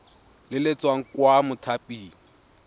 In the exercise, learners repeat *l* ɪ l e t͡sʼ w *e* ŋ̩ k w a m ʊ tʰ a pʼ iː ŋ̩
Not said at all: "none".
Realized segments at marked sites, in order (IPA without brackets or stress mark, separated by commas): l, a